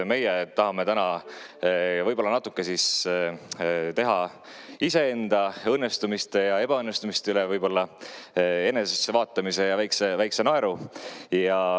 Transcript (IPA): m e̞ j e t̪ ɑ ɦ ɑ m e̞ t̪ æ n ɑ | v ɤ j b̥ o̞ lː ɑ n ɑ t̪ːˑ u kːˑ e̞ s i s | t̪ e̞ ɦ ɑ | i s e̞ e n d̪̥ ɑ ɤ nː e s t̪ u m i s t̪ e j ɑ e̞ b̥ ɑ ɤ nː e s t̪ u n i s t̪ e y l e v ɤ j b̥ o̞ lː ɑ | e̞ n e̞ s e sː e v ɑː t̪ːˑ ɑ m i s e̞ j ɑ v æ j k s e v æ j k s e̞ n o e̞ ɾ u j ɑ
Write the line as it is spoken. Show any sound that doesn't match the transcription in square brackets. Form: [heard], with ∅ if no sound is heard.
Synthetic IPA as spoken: m e̞ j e t̪ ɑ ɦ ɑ m e̞ t̪ æ n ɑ | v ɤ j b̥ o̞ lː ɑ n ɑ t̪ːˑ u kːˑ e̞ s i s | t̪ e̞ ɦ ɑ | i s e̞ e n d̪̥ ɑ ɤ nː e s t̪ u m i s t̪ e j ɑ e̞ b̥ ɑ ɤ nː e s t̪ u [m] i s t̪ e y l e v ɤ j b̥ o̞ lː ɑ | e̞ n e̞ s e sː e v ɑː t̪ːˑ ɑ m i s e̞ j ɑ v æ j k s e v æ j k s e̞ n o e̞ ɾ u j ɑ